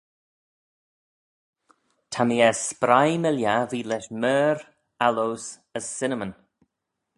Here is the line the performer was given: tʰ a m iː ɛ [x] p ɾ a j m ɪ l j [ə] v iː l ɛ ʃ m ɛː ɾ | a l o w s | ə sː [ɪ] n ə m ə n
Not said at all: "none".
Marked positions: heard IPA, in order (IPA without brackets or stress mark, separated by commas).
s, a, ɪ